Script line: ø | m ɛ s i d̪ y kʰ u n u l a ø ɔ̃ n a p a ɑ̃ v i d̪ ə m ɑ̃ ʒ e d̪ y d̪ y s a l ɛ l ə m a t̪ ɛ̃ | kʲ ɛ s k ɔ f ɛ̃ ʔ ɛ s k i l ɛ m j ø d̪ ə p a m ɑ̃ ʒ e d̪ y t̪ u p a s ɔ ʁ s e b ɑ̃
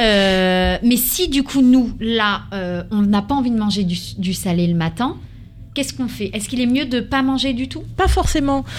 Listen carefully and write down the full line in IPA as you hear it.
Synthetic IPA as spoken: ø | m ɛ s i d̪ y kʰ u n u l a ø ɔ̃ n a p a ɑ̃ v i d̪ ə m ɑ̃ ʒ e d̪ y d̪ y s a l ɛ l ə m a t̪ ɛ̃ | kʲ ɛ s k ɔ̃ f ɛ ʔ ɛ s k i l ɛ m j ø d̪ ə p a m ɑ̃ ʒ e d̪ y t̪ u p a f ɔ ʁ s e m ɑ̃